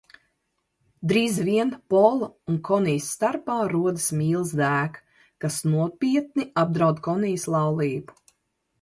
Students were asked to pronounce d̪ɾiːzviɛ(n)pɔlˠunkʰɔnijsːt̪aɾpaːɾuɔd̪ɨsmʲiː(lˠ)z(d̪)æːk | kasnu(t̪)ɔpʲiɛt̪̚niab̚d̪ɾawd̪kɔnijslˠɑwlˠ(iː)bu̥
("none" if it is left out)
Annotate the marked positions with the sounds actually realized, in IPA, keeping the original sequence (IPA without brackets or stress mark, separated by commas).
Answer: n, lˠ, d̪, none, iː